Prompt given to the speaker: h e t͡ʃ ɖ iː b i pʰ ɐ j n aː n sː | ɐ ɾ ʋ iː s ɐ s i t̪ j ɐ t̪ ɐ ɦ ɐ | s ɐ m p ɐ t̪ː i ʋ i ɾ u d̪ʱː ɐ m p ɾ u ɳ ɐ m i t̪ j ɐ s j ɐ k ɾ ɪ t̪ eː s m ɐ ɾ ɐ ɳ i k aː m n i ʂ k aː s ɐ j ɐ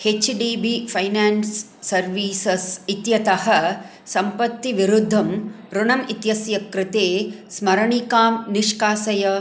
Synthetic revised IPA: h e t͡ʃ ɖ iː b i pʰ ɐ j n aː n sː | ɐ ɾ ʋ iː s ɐ s i t̪ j ɐ t̪ ɐ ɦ ɐ | s ɐ m p ɐ t̪ː i ʋ i ɾ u d̪ʱː ɐ m p ɾ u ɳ ɐ m i t̪ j ɐ s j ɐ k ɾ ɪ t̪ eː s m ɐ ɾ ɐ ɳ i k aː m n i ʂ k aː s ɐ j ɐ